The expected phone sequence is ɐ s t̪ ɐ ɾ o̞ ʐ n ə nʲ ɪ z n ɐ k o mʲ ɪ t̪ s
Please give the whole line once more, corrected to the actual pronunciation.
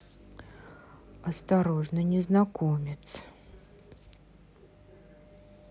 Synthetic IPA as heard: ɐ s t̪ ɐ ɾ o̞ ʐ n ə nʲ ɪ z n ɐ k o mʲ ɪ t̪ s